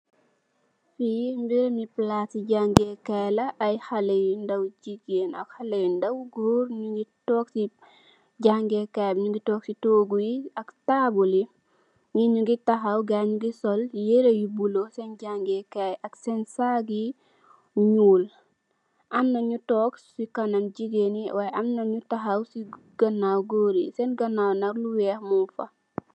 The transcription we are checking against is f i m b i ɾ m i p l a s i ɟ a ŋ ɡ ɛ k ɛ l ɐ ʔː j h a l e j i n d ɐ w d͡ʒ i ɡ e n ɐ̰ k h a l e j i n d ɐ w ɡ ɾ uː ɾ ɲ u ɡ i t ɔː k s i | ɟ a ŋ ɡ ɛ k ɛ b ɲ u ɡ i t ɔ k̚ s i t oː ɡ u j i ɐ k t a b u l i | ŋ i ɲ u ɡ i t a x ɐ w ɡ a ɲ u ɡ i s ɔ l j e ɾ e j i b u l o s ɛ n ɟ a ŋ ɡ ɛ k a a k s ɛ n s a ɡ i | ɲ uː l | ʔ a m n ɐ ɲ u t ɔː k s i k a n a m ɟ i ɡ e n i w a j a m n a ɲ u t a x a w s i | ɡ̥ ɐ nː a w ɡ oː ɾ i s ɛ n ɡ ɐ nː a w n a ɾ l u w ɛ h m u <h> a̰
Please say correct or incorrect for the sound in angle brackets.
incorrect